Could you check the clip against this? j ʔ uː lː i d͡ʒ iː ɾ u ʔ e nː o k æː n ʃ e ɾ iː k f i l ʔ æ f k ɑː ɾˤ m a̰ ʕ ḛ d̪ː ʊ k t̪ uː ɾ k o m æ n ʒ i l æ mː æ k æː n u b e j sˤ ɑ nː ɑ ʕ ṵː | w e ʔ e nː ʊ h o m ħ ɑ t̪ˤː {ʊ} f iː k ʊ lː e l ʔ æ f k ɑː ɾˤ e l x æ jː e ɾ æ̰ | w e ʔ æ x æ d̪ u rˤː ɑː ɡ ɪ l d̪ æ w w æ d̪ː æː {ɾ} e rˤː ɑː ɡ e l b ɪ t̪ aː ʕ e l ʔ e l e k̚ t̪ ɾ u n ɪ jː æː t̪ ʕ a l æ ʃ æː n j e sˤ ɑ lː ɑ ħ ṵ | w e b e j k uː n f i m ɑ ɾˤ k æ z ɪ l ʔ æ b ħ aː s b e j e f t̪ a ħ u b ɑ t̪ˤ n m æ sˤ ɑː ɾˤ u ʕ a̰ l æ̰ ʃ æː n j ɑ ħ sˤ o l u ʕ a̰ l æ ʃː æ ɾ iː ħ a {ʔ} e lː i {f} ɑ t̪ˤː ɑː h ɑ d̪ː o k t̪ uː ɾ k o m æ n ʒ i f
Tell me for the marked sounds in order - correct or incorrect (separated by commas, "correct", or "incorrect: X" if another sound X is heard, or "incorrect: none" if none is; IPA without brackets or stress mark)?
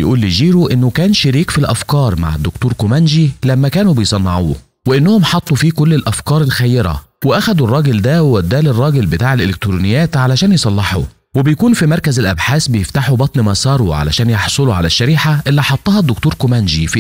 incorrect: u, incorrect: l, correct, incorrect: ħ